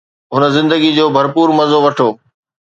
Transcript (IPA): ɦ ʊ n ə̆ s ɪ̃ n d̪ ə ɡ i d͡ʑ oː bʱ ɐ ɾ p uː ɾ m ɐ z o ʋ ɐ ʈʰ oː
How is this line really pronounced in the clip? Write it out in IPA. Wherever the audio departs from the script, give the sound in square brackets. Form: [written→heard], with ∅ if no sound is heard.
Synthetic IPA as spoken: ɦ ʊ n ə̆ [s→z] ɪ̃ n d̪ ə ɡ i d͡ʑ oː bʱ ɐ ɾ p uː ɾ m ɐ z o ʋ ɐ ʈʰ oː